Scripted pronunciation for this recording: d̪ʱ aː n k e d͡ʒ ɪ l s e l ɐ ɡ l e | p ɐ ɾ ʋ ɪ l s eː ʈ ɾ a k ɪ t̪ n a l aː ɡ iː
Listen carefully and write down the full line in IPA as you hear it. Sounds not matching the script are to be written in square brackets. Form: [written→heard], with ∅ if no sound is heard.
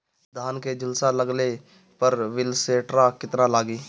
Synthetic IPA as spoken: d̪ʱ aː n k e d͡ʒ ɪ l s [e→a] l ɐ ɡ l e | p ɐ ɾ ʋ ɪ l s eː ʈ ɾ a k ɪ t̪ n a l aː ɡ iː